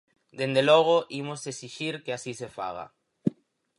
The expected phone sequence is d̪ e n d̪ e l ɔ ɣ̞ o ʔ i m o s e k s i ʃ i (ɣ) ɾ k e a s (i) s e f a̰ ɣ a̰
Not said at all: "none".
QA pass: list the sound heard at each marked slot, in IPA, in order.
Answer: none, i

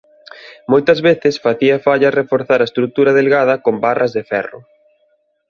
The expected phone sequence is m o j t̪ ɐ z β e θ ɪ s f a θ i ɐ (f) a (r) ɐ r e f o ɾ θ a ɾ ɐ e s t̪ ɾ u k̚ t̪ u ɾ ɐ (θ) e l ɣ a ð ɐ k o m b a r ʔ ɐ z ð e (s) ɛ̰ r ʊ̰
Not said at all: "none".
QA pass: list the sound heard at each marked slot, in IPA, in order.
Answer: f, ʎ, ð, f

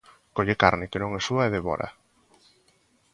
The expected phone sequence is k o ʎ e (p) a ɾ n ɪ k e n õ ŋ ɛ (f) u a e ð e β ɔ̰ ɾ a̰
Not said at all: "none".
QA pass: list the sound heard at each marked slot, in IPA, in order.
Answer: k, s

